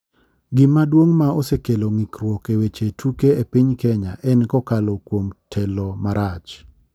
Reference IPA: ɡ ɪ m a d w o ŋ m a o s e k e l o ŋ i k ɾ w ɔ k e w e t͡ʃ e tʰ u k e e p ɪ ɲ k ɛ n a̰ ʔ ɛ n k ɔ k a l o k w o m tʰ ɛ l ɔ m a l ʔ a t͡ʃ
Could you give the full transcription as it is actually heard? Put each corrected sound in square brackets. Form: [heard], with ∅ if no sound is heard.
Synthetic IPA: ɡ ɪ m a d w o ŋ m a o s e k e l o ŋ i k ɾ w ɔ k e w e t͡ʃ e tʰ u k e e p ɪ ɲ k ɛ [ɲ] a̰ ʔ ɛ n k ɔ k a l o k w o m tʰ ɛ l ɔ m a [ɾ] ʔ a t͡ʃ